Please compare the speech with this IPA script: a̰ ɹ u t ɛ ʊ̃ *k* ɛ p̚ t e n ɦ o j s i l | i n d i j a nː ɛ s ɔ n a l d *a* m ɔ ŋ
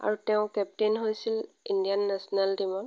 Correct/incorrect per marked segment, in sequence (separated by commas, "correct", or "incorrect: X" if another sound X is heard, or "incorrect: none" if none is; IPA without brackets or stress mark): correct, incorrect: i